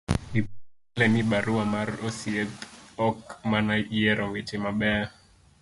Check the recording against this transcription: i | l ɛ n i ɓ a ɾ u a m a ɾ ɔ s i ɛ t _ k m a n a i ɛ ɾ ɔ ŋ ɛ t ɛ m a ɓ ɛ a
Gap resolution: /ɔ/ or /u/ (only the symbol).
ɔ